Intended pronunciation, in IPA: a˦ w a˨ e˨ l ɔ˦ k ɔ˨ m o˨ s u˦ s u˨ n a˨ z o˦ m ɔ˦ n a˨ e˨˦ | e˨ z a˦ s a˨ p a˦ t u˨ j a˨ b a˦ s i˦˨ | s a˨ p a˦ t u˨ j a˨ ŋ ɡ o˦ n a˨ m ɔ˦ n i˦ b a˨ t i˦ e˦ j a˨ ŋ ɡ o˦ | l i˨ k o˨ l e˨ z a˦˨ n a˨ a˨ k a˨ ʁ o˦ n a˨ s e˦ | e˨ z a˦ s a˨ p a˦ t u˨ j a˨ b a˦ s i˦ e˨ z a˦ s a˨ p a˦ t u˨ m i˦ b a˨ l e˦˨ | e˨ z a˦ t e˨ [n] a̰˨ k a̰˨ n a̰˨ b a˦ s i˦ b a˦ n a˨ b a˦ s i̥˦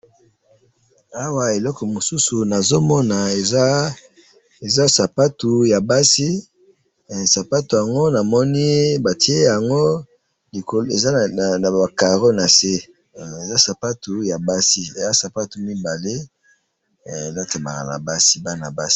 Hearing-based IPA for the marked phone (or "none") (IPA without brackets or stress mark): m